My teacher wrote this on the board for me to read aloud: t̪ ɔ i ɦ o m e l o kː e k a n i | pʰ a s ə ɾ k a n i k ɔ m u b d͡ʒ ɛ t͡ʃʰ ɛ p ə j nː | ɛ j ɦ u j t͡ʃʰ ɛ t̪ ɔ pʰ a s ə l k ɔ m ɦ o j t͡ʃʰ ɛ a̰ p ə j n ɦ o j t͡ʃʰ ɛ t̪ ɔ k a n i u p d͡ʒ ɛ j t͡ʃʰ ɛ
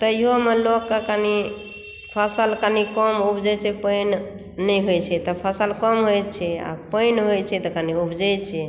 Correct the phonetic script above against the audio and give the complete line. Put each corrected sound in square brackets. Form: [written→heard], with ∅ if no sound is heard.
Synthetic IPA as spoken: t̪ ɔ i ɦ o m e l o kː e k a n i | pʰ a s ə [ɾ→l] k a n i k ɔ m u b d͡ʒ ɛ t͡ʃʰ ɛ p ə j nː | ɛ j ɦ [u→o] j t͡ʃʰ ɛ t̪ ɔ pʰ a s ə l k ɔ m ɦ o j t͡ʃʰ ɛ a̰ p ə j n ɦ o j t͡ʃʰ ɛ t̪ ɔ k a n i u [p→b] d͡ʒ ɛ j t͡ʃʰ ɛ